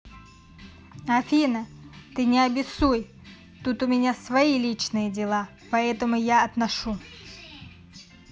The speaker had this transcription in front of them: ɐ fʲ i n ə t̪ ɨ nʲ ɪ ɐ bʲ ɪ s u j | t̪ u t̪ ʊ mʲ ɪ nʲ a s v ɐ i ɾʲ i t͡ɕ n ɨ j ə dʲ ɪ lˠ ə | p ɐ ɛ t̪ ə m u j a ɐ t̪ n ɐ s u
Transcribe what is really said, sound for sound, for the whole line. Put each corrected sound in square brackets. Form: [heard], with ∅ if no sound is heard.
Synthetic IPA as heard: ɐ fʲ i n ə t̪ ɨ nʲ ɪ ɐ bʲ ɪ s u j | t̪ u t̪ ʊ mʲ ɪ nʲ a s v ɐ i [lʲ] i t͡ɕ n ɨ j ə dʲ ɪ lˠ [a] | p ɐ ɛ t̪ ə m [ʊ] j a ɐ t̪ n ɐ [ʂ] u